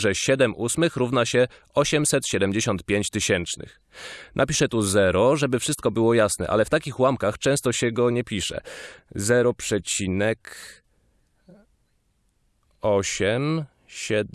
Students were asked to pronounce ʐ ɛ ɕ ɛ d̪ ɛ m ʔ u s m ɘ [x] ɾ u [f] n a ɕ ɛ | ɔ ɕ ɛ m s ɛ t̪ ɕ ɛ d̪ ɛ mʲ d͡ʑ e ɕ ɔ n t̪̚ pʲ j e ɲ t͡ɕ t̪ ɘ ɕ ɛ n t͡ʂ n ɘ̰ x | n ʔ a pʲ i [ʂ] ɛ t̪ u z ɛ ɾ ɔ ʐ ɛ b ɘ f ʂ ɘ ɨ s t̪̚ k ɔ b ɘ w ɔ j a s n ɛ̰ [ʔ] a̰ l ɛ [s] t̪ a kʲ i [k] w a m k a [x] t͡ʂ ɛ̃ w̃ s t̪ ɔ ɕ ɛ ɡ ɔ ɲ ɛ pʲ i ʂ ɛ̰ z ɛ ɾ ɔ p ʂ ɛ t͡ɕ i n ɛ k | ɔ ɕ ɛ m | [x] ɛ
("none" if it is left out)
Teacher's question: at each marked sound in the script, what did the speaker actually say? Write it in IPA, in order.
x, v, ʂ, ʔ, f, x, x, ɕ

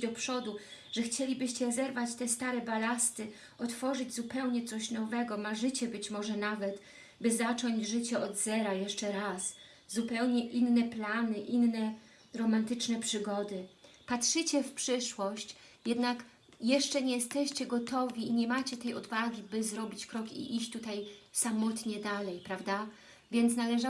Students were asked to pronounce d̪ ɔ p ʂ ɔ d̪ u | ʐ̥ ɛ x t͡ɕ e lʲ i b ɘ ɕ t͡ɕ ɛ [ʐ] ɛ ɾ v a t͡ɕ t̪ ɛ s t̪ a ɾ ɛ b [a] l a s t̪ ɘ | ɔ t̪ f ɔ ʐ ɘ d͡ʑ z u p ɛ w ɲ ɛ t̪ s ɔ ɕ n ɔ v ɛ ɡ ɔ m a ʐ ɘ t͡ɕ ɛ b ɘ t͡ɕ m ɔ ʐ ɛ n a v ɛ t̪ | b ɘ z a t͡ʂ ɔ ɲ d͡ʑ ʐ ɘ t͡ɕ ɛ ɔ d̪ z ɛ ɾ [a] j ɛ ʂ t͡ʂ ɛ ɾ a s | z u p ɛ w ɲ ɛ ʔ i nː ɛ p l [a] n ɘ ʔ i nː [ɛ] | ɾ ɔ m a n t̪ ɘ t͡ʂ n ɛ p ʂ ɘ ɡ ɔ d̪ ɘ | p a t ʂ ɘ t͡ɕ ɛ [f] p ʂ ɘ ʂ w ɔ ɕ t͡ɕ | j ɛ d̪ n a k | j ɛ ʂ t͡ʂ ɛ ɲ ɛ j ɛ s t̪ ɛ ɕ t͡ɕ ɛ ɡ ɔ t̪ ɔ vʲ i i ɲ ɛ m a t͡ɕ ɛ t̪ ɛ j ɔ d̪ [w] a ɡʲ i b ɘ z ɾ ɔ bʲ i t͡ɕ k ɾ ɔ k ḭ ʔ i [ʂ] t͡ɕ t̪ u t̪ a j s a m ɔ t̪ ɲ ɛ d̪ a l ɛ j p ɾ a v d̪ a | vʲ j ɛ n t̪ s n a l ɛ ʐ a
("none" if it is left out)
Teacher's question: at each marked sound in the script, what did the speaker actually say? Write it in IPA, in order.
z, a, a, a, ɛ, f, v, ɕ

